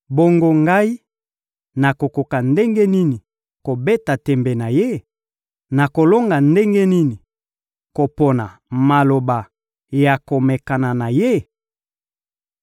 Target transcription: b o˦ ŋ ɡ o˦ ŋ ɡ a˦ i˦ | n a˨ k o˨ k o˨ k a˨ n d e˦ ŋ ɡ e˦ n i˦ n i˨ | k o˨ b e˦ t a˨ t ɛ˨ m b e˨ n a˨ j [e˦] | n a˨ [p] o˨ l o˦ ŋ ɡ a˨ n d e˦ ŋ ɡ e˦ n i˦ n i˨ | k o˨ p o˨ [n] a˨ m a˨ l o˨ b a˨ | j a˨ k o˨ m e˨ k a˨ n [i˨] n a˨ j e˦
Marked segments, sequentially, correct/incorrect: correct, incorrect: k, correct, incorrect: a˨

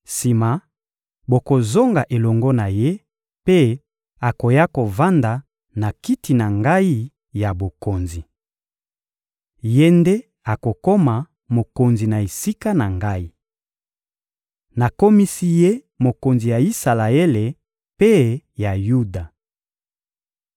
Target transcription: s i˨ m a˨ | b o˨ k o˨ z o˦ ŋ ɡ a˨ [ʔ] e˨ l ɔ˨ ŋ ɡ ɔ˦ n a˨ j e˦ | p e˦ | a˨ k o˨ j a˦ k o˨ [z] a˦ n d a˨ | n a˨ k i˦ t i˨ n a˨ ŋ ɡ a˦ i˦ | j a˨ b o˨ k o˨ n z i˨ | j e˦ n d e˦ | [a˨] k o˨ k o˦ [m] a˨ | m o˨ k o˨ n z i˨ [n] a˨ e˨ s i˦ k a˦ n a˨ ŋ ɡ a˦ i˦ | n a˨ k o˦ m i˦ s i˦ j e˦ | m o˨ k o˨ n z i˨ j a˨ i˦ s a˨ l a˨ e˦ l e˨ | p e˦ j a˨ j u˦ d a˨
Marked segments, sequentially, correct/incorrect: correct, incorrect: v, correct, correct, correct

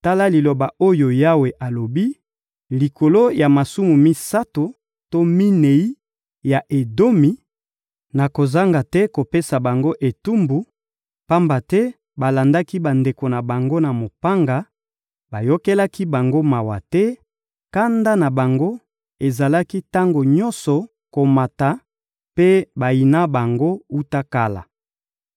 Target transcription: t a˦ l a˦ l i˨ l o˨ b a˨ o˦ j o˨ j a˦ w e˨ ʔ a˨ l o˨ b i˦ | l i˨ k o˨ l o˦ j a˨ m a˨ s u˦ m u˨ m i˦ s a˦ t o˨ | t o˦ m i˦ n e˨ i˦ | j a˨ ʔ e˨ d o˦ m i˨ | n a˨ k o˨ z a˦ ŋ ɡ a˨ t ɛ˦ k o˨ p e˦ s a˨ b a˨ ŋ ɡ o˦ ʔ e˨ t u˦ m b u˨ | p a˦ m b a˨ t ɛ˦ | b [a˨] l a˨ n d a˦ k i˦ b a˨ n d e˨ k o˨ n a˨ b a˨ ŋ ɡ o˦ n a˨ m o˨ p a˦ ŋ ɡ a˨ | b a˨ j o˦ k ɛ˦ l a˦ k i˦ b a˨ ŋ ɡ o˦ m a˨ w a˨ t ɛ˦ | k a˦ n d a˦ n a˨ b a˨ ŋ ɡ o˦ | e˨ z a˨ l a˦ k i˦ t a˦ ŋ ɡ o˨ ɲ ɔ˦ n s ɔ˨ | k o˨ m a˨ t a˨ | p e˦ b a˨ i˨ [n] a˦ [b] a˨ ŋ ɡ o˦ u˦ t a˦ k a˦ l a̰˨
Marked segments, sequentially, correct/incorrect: correct, correct, correct

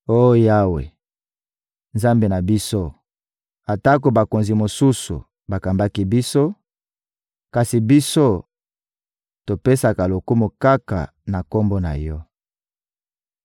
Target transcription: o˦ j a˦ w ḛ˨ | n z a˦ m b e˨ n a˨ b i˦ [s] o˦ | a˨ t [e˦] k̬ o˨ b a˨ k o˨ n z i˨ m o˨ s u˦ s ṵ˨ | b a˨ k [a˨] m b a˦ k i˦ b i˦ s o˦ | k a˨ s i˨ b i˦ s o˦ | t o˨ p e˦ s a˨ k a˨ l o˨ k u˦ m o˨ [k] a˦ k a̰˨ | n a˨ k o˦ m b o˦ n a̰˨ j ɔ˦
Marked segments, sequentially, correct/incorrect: correct, incorrect: a˦, correct, correct

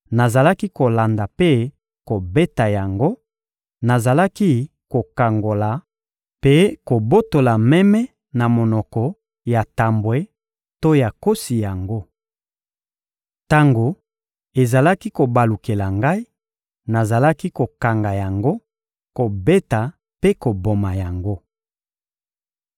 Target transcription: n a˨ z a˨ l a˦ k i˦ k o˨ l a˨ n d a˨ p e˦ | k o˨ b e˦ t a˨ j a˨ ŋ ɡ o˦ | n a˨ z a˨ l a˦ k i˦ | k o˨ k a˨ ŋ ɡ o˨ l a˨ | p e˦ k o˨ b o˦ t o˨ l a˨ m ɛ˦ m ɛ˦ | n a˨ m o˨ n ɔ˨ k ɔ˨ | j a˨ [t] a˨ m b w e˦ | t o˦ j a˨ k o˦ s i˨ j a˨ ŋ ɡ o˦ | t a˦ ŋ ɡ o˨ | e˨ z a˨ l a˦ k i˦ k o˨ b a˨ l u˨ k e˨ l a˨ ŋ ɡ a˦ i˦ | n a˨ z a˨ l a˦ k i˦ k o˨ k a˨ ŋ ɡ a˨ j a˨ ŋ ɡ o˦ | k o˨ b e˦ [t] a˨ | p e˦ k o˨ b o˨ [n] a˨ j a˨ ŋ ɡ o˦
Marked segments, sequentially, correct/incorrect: correct, correct, incorrect: m

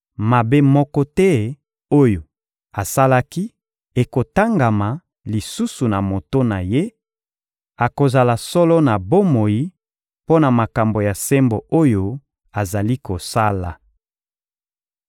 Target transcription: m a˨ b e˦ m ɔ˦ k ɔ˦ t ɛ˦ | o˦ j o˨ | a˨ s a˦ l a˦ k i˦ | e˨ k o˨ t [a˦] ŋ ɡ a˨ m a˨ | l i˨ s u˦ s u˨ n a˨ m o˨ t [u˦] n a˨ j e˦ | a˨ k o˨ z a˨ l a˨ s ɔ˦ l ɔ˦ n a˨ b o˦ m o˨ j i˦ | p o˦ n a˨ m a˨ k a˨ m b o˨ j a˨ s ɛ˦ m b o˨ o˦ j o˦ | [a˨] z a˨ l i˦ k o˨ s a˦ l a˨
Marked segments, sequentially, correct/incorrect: correct, incorrect: o˦, correct

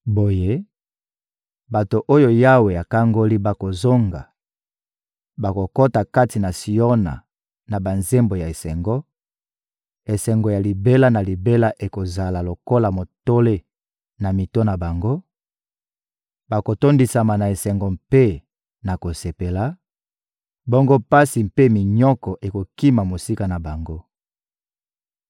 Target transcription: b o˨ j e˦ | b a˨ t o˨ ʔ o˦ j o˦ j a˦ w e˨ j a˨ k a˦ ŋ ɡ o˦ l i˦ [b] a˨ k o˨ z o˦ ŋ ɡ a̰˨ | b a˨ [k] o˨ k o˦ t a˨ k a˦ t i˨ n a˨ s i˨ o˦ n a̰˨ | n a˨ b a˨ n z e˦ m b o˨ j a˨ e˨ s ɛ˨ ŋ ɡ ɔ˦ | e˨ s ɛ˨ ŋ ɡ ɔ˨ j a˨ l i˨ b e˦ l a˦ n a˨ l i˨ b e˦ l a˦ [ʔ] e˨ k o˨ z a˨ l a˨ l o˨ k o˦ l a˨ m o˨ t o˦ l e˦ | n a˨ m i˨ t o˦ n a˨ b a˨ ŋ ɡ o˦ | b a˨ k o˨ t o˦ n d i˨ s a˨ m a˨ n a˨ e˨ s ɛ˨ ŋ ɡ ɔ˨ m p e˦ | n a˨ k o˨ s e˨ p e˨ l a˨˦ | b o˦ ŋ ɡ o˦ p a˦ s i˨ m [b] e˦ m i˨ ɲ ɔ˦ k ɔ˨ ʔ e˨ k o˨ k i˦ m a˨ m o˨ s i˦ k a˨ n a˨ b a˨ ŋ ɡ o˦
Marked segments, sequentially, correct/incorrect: correct, correct, correct, incorrect: p

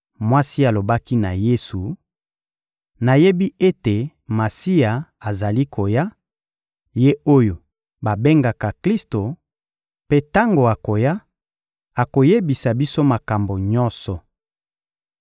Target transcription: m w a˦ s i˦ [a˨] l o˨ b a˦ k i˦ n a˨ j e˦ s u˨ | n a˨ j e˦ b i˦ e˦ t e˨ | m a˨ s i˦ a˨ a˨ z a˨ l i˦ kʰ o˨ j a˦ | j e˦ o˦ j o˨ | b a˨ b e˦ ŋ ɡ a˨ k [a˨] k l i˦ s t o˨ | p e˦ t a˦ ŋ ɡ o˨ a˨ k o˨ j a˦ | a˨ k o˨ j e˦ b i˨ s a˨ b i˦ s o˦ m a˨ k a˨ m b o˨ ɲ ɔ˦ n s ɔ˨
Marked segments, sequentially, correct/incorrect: correct, correct

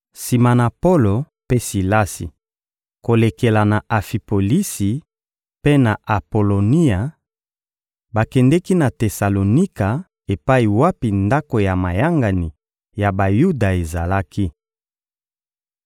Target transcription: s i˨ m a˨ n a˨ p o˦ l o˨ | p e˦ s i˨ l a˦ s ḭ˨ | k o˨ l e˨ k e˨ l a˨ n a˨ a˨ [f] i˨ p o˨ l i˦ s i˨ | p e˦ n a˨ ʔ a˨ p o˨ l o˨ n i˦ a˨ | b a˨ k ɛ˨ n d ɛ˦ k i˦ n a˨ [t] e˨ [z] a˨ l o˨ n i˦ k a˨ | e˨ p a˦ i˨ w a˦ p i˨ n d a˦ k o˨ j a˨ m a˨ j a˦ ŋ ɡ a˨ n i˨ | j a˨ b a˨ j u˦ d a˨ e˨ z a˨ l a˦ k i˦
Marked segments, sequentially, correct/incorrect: correct, correct, incorrect: s

